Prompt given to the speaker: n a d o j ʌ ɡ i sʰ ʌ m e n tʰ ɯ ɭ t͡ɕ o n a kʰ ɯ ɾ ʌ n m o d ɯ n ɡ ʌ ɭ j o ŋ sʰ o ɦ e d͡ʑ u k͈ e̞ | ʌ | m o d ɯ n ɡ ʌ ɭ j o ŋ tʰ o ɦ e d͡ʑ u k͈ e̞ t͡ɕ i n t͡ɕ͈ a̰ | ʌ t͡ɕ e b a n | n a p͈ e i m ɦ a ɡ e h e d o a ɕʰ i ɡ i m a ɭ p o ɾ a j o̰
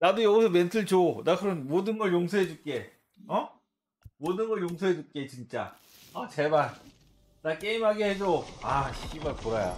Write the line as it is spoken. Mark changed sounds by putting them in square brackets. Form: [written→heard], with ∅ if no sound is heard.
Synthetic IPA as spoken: n a d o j ʌ ɡ i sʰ ʌ m e n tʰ ɯ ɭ t͡ɕ o n a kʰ ɯ ɾ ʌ n m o d ɯ n ɡ ʌ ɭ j o ŋ sʰ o ɦ e d͡ʑ u k͈ e̞ | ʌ | m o d ɯ n ɡ ʌ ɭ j o ŋ [tʰ→sʰ] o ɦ e d͡ʑ u k͈ e̞ t͡ɕ i n t͡ɕ͈ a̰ | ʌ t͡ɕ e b a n | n a [p͈→k͈] e i m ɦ a ɡ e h e [d→d͡ʑ] o a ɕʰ i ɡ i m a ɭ p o ɾ a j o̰